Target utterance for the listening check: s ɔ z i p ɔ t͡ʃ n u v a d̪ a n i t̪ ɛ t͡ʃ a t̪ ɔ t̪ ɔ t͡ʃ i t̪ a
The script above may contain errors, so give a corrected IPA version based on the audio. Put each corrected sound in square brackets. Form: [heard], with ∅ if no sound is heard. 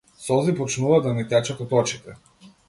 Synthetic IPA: s ɔ z i p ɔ t͡ʃ n u v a d̪ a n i t̪ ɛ t͡ʃ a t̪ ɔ t̪ ɔ t͡ʃ i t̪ [ɛ]